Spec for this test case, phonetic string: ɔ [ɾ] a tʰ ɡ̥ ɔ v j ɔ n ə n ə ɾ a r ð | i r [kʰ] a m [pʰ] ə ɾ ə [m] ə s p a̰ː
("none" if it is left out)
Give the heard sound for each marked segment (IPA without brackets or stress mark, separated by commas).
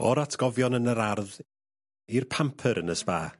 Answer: ɾ, pʰ, pʰ, n